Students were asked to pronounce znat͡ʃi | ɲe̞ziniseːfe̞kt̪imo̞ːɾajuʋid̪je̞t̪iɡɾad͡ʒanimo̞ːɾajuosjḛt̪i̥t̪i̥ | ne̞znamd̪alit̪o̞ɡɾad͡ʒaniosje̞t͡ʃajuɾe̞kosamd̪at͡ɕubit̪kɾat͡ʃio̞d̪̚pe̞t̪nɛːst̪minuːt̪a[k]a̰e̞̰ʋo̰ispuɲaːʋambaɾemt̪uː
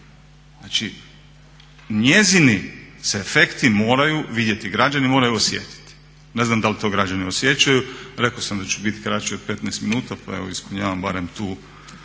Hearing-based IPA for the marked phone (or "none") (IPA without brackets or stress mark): p